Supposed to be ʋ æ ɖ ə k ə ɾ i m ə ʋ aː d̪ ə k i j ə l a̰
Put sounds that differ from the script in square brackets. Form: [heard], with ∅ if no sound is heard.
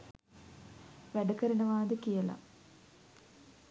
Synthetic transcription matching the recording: ʋ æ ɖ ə k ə ɾ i [n] ə ʋ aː d̪ ə k i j ə l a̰